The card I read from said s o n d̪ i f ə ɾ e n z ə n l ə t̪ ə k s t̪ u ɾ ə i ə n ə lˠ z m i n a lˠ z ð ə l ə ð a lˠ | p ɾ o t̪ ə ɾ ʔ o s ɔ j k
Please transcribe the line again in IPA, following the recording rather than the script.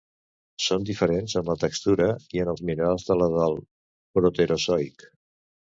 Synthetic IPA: s o n d̪ i f ə ɾ e n z ə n l ə t̪ ə k s t̪ u ɾ ə i ə n ə lˠ z m i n a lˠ z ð ə l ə ð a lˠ | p ɾ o t̪ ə ɾ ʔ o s ɔ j k